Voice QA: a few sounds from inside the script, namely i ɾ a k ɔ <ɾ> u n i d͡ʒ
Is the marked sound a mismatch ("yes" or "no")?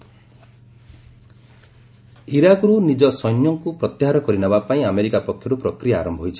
no